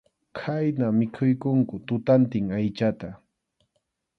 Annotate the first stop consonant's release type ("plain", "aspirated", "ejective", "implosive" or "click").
aspirated